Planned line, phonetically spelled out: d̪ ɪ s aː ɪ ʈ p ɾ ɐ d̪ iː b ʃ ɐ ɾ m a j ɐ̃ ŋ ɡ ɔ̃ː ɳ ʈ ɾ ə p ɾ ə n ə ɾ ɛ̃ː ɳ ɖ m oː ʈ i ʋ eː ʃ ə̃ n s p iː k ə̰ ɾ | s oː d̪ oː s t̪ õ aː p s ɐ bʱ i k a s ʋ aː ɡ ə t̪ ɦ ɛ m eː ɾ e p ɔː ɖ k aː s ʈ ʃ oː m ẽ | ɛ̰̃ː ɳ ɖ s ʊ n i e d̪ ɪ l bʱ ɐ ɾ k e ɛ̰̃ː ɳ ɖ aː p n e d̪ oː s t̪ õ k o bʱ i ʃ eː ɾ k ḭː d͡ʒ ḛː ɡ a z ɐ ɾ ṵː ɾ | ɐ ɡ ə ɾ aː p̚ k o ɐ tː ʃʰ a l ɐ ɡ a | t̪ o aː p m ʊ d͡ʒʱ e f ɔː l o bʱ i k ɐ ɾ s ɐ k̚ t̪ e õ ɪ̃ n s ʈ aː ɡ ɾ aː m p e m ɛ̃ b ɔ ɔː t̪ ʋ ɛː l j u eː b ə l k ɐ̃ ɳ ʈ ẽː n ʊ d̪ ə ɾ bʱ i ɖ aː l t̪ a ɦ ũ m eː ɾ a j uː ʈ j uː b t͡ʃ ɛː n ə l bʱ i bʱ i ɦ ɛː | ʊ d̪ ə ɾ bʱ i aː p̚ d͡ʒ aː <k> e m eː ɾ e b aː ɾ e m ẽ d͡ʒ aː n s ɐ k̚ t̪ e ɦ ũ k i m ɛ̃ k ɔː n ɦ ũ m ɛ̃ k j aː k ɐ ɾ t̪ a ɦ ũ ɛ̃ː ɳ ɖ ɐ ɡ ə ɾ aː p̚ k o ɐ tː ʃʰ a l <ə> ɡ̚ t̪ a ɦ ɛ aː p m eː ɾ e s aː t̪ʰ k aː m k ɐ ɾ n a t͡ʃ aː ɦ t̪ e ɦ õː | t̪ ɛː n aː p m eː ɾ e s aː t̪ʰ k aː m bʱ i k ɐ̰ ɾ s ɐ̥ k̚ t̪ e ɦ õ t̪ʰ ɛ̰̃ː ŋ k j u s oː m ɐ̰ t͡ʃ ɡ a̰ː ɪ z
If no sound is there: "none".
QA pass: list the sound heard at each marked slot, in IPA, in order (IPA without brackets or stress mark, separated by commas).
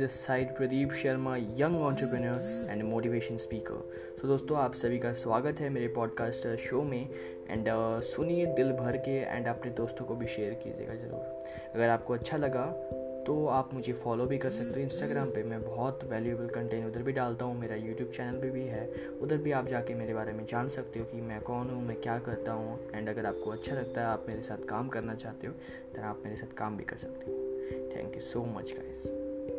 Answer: k, ɐ